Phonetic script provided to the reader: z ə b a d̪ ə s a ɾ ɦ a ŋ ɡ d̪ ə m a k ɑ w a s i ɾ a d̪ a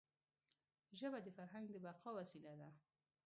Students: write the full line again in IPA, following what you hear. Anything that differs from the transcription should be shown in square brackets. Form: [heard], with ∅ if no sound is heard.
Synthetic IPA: [ʒ] ə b a d̪ ə [f] a ɾ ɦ a ŋ ɡ d̪ ə [b] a [q] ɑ w a s i [l] a d̪ a